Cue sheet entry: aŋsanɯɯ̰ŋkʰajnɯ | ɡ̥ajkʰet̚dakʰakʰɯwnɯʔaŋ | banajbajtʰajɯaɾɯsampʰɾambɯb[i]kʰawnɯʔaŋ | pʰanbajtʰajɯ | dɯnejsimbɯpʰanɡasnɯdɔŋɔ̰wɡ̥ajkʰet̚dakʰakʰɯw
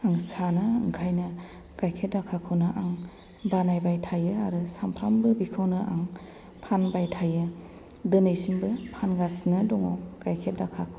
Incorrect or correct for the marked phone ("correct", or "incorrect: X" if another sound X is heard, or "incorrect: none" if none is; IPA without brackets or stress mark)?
correct